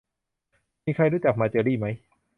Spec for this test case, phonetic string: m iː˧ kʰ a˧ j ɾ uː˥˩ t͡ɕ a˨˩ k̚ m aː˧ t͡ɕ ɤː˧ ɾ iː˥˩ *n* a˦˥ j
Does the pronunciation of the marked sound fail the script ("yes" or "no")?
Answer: yes